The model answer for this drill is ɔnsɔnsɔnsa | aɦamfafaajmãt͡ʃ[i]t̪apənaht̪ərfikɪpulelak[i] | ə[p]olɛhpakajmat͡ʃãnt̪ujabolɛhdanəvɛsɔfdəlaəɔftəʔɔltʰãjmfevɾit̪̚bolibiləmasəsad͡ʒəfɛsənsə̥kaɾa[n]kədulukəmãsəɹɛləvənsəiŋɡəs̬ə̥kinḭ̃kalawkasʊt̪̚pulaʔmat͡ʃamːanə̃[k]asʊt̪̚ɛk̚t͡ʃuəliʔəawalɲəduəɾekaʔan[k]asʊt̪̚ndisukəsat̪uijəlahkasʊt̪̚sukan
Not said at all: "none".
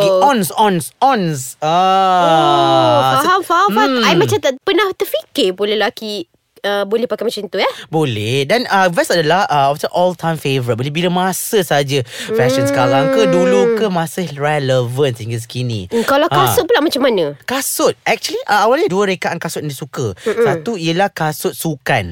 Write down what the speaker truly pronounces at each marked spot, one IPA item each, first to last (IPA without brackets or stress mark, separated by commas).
a, i, b, ŋ, k, k